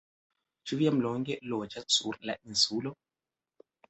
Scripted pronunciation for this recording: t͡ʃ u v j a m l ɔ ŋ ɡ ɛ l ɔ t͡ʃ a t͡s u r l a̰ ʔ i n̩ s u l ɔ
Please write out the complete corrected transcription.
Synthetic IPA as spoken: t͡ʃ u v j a m l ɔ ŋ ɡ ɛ l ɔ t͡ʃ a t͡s u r l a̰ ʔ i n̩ s u l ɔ